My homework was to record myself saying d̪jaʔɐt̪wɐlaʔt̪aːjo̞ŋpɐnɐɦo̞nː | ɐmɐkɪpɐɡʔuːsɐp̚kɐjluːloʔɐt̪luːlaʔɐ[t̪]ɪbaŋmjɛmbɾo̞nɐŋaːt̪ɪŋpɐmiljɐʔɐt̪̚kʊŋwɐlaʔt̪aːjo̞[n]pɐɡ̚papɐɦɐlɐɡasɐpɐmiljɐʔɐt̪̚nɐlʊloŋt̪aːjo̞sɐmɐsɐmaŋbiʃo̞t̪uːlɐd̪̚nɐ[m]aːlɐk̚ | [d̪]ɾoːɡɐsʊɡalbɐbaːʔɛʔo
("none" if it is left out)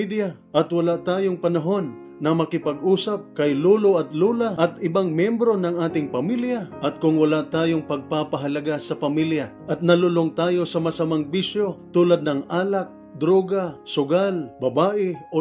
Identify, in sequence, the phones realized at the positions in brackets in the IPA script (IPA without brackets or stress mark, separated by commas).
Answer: t̪, ŋ, ŋ, d̪